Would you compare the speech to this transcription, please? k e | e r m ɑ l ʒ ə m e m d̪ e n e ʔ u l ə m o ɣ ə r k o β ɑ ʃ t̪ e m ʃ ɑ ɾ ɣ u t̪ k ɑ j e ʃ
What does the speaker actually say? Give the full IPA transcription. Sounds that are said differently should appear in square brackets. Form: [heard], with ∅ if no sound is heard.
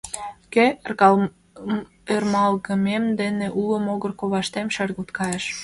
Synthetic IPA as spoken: k e | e r m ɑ l [ɣ] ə m e m d̪ e n e ʔ u l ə m o ɣ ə r k o β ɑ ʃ t̪ e m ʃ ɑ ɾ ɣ u t̪ k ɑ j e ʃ